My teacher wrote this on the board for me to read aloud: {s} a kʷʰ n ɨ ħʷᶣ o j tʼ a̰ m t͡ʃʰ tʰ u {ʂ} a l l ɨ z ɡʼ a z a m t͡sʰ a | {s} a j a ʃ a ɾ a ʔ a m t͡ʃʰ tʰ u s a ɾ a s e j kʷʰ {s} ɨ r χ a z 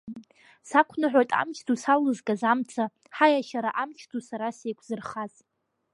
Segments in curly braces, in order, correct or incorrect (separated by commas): correct, incorrect, incorrect, incorrect